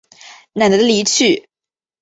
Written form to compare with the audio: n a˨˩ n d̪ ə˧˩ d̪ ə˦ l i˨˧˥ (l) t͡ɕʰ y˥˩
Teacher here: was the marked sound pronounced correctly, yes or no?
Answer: no